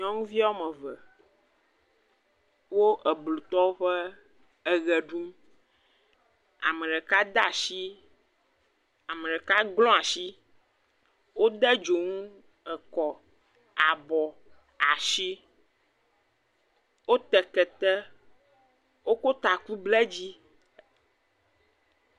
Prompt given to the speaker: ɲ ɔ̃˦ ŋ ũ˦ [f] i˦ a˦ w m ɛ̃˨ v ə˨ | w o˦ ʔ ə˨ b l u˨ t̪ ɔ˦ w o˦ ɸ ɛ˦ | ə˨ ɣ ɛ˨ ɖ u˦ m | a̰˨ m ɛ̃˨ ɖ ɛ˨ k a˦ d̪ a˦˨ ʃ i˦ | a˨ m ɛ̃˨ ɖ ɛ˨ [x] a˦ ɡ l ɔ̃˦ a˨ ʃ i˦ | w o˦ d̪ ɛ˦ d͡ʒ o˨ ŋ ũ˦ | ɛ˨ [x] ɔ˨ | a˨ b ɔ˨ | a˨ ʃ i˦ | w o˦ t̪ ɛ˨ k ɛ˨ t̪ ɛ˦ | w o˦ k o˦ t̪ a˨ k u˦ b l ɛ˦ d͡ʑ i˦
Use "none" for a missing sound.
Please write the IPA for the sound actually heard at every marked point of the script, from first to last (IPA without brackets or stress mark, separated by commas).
v, k, k